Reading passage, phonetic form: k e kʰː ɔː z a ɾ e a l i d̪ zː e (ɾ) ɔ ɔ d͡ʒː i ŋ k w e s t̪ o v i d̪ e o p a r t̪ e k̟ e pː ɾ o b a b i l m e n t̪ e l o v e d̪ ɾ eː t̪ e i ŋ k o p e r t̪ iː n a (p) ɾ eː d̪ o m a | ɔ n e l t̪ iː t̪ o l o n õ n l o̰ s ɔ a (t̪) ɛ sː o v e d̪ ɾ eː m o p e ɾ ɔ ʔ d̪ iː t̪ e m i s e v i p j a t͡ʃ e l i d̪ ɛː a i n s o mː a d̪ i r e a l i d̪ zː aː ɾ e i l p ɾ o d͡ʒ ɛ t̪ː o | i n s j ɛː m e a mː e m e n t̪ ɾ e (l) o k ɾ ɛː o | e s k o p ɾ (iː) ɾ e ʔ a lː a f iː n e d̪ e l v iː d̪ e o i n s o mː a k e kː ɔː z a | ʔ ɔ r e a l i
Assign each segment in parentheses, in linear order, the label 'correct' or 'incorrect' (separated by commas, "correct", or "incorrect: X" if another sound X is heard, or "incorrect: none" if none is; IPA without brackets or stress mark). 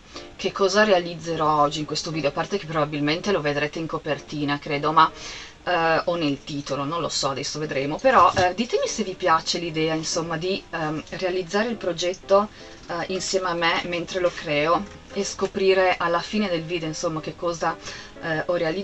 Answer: correct, incorrect: k, incorrect: d̪, correct, correct